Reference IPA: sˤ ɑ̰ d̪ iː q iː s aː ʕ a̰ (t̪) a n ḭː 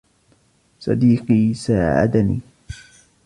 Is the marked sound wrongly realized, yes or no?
yes